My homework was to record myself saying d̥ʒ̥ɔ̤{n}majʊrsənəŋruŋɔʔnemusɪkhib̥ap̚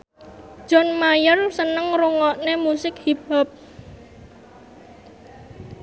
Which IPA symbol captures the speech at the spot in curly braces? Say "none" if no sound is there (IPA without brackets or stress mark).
n